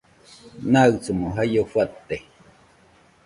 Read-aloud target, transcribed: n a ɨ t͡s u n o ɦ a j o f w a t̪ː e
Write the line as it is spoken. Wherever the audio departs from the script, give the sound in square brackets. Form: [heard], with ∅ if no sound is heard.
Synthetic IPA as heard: n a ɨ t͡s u [m] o ɦ a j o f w a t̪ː e